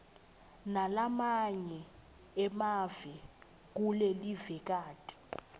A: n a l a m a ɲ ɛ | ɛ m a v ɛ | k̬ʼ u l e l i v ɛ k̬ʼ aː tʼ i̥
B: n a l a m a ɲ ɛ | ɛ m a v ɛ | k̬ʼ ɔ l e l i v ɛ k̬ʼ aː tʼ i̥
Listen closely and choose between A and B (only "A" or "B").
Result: A